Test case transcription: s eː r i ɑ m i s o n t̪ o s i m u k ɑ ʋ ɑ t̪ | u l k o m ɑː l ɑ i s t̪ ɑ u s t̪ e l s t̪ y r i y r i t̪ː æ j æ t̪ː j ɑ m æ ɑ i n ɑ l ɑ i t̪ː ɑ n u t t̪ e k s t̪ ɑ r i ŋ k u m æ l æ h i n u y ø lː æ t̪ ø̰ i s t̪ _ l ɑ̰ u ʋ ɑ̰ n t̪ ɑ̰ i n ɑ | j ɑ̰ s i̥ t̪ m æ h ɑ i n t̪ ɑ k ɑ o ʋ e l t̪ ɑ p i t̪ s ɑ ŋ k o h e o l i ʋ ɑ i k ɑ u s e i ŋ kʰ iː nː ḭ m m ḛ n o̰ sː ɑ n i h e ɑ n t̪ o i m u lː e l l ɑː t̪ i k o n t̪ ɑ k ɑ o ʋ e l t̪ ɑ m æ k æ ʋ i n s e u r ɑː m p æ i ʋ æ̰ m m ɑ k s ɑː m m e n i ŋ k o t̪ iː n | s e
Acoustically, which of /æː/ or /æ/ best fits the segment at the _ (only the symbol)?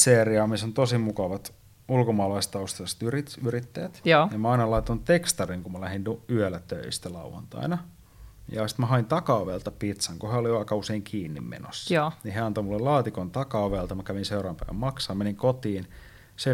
æ